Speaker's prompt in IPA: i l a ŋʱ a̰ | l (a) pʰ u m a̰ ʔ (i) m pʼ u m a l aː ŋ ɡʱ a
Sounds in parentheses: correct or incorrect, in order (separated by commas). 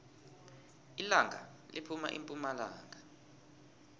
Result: incorrect, correct